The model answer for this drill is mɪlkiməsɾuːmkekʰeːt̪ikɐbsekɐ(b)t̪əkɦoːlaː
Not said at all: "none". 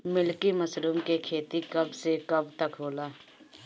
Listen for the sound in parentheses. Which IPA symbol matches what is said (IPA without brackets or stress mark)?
b